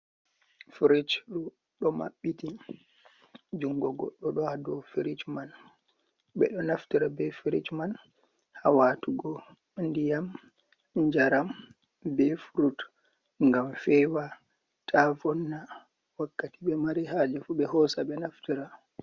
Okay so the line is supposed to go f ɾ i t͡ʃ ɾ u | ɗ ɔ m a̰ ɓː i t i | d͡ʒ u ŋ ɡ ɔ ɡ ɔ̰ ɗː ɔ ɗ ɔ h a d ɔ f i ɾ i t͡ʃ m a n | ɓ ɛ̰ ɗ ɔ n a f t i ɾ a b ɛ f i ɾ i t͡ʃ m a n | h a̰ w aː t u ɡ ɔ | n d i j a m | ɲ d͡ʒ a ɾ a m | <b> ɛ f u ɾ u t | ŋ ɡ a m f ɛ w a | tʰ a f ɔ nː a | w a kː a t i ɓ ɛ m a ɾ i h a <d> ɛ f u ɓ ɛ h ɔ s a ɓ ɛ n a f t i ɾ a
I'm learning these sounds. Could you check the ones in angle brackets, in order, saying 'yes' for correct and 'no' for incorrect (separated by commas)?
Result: yes, no